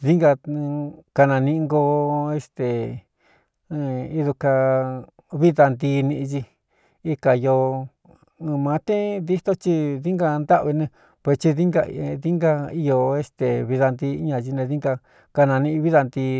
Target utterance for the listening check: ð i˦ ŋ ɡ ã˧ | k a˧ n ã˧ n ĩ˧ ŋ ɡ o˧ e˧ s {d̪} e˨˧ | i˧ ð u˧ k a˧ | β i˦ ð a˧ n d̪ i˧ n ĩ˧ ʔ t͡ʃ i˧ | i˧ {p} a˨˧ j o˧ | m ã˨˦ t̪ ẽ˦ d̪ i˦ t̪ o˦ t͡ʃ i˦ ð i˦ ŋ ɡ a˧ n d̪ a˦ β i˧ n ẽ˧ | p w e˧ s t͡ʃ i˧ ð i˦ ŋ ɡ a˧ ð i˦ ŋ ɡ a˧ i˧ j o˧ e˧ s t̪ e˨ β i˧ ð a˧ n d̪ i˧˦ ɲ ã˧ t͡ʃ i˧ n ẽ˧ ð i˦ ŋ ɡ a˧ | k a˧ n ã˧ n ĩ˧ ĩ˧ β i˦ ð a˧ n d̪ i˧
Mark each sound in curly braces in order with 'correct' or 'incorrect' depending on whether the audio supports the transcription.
incorrect: t̪, incorrect: k

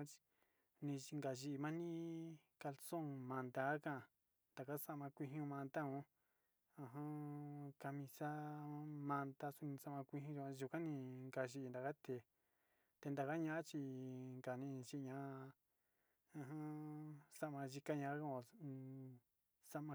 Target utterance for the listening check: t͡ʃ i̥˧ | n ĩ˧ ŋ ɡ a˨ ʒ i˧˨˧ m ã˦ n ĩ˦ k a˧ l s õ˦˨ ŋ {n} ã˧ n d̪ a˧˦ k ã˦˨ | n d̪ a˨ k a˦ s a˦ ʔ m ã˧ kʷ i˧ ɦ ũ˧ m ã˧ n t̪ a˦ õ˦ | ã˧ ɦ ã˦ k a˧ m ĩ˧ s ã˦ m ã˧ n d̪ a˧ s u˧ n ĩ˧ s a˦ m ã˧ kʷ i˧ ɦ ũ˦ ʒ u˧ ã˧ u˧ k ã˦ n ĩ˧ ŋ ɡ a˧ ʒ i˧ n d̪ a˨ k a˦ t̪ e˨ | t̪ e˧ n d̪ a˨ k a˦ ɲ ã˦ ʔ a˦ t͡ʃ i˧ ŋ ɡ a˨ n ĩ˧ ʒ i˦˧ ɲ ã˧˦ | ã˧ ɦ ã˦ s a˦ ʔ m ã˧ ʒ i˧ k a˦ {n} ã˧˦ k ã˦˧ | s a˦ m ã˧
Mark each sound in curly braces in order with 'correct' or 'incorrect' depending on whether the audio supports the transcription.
incorrect: m, incorrect: ɲ

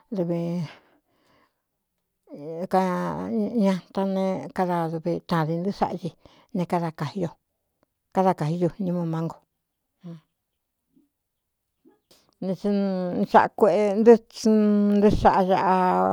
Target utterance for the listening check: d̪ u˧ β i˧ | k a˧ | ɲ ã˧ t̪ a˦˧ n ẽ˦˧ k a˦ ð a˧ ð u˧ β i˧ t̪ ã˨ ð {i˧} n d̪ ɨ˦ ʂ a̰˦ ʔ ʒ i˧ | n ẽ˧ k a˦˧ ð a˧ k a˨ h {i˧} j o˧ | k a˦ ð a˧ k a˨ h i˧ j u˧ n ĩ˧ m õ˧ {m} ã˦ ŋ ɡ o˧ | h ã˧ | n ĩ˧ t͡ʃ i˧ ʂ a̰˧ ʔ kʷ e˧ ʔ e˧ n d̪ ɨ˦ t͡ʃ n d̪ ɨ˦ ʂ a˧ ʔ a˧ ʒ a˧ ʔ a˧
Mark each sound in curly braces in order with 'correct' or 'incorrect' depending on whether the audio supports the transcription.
correct, correct, correct

